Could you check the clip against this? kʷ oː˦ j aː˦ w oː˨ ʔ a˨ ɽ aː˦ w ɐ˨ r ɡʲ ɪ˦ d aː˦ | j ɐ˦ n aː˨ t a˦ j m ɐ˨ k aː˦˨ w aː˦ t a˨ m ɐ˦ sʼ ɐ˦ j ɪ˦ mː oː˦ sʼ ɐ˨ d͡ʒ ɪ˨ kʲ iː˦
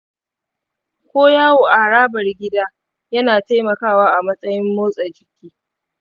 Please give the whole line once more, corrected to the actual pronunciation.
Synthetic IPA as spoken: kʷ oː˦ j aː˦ w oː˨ ʔ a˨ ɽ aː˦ b ɐ˨ r ɡʲ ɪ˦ d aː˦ | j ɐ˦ n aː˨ t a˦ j m ɐ˨ k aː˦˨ w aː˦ ʔ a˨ m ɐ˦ sʼ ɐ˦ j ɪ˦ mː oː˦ sʼ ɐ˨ d͡ʒ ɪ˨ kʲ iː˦